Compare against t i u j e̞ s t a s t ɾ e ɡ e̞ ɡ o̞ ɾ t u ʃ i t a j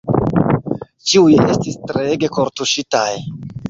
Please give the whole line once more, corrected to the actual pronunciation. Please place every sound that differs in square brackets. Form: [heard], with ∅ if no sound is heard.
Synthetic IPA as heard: [t͡ʃ] i u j e̞ s t [i] s t ɾ e ɡ e̞ [k] o̞ ɾ t u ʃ i t a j

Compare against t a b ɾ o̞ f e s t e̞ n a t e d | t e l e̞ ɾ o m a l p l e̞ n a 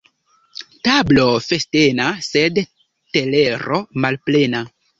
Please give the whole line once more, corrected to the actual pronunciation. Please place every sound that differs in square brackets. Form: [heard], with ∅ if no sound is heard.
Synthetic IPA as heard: t a b [l] o̞ f e s t e̞ n a [s] e d | t e l e̞ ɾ o m a l p l e̞ n a

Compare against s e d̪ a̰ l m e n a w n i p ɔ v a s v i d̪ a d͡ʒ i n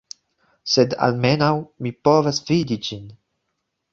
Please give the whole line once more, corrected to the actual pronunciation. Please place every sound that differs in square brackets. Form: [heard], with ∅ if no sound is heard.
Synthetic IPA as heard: s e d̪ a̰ l m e n a w [m] i p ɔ v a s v i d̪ [i] d͡ʒ i n

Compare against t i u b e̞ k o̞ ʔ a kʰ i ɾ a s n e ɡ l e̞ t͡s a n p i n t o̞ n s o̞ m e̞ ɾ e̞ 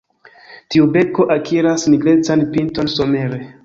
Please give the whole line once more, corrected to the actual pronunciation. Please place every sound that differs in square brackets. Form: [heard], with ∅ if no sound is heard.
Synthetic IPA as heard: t i u b e̞ k o̞ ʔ a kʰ i ɾ a s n [i] ɡ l e̞ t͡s a n p i n t o̞ n s o̞ m e̞ ɾ e̞

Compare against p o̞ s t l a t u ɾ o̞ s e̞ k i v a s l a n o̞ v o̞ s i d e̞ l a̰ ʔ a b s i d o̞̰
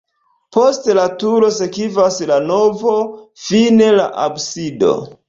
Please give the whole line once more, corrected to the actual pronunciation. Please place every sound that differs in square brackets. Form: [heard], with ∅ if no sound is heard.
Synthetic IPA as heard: p o̞ s t l a t u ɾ o̞ s e̞ k i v a s l a n o̞ v o̞ [f] i [n] e̞ l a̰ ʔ a b s i d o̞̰

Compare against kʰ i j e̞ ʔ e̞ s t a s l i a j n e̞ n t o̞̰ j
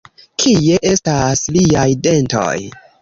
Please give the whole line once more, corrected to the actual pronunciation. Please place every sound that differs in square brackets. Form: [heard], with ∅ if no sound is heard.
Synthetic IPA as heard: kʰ i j e̞ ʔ e̞ s t a s l i a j [d] e̞ n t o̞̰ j

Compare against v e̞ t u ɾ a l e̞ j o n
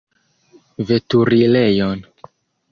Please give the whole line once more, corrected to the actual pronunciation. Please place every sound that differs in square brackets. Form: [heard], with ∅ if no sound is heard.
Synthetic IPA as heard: v e̞ t u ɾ [i] l e̞ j o n

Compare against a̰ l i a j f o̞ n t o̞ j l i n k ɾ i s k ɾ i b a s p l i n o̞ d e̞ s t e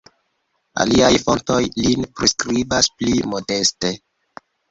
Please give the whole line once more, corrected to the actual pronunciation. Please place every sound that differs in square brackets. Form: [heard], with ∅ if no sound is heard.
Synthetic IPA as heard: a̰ l i a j f o̞ n t o̞ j l i n [p] ɾ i s k ɾ i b a s p l i [m] o̞ d e̞ s t e

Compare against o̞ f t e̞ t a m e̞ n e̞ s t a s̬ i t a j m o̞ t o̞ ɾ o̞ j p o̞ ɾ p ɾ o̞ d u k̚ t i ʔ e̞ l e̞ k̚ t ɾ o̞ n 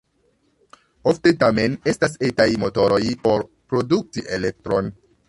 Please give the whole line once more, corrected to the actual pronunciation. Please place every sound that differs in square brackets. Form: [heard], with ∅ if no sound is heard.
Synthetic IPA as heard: o̞ f t e̞ t a m e̞ n e̞ s t a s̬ [e] t a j m o̞ t o̞ ɾ o̞ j p o̞ ɾ p ɾ o̞ d u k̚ t i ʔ e̞ l e̞ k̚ t ɾ o̞ n

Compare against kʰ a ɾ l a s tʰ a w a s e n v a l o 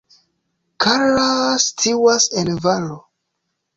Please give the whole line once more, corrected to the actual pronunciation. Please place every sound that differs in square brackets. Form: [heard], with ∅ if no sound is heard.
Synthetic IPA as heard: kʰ a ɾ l a s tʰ [i] w a s e n v a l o

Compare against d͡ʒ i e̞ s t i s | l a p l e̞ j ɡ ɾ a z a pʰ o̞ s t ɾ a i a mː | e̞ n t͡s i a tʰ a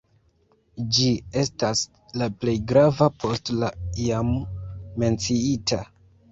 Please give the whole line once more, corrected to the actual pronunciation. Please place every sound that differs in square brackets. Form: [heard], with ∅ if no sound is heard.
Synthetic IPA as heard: d͡ʒ i e̞ s t [a] s | l a p l e̞ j ɡ ɾ a [v] a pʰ o̞ s t [l] a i a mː | e̞ n t͡s i [i] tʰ a

